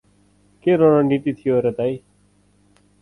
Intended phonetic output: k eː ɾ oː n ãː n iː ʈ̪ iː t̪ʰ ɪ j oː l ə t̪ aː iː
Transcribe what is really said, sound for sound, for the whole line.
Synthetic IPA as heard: k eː ɾ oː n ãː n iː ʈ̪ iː t̪ʰ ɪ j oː ɾ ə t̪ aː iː